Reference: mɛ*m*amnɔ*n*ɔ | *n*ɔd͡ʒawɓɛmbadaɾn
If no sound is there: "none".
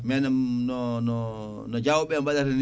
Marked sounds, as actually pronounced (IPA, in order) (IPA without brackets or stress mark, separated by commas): n, n, n